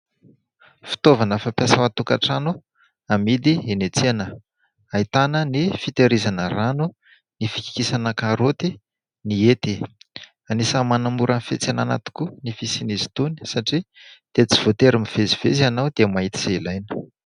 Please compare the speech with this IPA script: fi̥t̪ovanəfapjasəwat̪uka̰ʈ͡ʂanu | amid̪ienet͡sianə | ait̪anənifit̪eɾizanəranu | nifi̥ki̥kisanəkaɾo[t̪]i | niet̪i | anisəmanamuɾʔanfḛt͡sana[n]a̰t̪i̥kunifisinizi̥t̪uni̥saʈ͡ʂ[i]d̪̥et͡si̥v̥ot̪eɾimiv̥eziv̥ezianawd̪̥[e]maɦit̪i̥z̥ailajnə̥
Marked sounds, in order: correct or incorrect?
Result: correct, correct, correct, correct

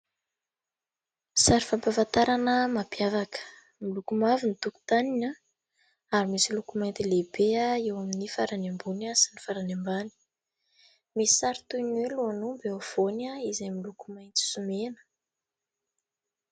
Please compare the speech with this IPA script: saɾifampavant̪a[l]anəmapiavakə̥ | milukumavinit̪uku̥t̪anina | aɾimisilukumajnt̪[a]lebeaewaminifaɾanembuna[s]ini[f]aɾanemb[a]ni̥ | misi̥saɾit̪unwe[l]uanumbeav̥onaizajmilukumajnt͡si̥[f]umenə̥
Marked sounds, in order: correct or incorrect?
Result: incorrect, incorrect, correct, correct, correct, correct, incorrect

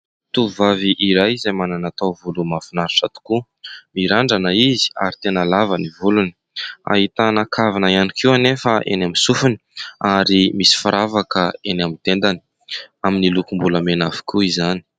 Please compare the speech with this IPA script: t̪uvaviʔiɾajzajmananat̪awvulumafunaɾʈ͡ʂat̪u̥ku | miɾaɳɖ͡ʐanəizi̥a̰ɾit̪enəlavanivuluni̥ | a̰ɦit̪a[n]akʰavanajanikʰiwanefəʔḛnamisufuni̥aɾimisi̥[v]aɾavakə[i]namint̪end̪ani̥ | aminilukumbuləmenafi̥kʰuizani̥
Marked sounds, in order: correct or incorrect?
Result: correct, incorrect, incorrect

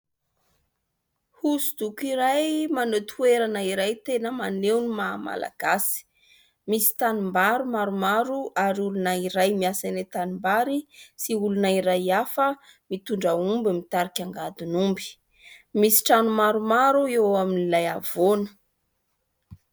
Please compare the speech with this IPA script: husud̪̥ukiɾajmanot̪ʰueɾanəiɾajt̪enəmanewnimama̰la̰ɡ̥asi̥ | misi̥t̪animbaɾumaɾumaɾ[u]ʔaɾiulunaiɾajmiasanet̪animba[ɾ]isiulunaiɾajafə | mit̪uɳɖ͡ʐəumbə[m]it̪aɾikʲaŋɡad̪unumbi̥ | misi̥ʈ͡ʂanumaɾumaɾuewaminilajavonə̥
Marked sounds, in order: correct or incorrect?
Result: correct, correct, correct

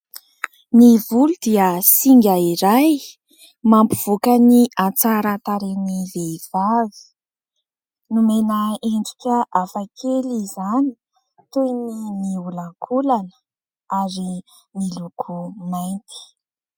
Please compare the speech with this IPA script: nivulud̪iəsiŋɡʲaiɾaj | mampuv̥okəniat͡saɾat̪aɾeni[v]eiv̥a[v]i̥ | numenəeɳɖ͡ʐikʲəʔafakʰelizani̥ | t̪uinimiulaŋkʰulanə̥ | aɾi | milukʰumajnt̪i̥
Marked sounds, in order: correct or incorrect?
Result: correct, correct

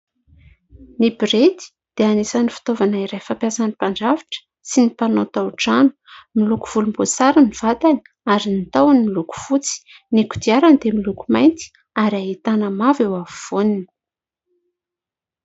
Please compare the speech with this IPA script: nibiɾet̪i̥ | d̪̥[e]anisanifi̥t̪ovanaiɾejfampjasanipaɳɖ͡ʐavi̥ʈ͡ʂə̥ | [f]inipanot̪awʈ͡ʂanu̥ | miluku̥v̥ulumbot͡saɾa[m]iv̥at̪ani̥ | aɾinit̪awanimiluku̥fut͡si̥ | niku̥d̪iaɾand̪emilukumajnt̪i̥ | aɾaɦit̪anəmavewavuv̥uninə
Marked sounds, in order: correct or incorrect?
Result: correct, incorrect, incorrect

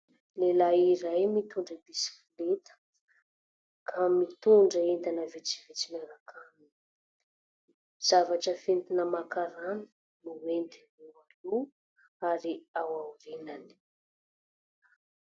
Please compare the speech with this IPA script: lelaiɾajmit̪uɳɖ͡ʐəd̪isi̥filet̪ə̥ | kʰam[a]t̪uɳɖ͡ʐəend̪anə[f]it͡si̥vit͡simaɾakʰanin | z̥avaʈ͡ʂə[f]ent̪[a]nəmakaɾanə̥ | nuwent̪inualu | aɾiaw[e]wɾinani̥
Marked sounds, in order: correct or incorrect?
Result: incorrect, incorrect, correct, incorrect, incorrect

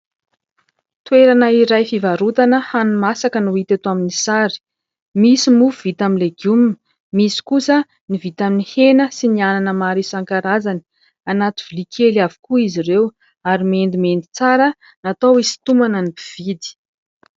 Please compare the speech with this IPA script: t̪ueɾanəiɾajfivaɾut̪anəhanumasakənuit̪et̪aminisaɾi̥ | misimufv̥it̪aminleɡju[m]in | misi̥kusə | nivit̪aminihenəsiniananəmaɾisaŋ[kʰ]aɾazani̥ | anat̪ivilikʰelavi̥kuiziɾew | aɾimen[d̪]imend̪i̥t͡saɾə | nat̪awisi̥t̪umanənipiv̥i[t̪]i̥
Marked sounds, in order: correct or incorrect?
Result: correct, incorrect, correct, incorrect

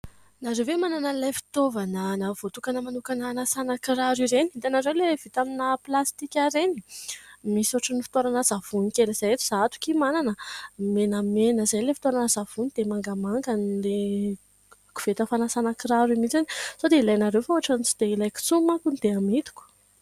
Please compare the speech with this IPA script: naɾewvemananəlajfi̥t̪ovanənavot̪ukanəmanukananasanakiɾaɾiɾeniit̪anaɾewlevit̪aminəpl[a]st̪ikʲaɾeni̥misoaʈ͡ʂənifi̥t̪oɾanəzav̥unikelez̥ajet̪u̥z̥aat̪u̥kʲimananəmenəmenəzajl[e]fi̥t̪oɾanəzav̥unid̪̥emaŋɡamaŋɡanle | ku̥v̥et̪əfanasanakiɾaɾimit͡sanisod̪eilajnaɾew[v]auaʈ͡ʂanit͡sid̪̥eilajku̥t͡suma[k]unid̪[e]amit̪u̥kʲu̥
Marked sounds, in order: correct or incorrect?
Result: correct, correct, incorrect, correct, correct

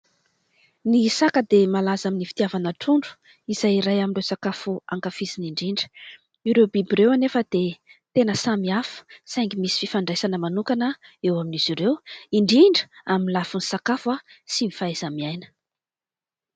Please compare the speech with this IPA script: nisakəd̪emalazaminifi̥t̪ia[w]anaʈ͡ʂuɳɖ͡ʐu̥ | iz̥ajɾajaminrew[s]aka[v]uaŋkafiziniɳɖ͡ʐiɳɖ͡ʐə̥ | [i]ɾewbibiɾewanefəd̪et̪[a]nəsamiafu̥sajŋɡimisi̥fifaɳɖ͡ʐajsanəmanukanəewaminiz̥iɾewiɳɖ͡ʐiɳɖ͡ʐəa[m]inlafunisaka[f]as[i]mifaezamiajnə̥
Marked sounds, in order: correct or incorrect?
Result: incorrect, correct, incorrect, correct, incorrect, correct, correct, correct

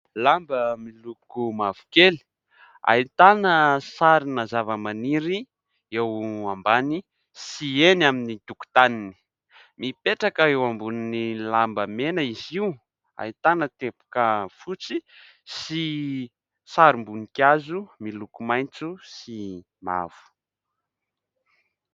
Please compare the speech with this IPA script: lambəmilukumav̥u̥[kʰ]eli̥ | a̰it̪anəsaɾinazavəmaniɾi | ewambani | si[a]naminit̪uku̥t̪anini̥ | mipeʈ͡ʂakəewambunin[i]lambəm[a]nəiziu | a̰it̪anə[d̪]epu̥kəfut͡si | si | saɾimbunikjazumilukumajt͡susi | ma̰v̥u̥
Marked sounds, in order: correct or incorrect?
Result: incorrect, incorrect, correct, incorrect, incorrect

